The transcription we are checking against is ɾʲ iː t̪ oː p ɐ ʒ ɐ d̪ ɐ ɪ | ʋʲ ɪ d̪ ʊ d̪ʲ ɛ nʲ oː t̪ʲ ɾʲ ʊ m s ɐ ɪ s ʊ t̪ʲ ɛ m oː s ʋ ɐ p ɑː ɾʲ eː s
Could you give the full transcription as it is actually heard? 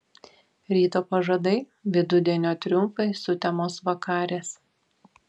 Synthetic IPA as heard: ɾʲ iː t̪ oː p ɐ ʒ ɐ d̪ ɐ ɪ | ʋʲ ɪ d̪ ʊ d̪ʲ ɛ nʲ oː t̪ʲ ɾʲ ʊ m f ɐ ɪ s ʊ t̪ʲ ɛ m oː s ʋ ɐ k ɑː ɾʲ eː s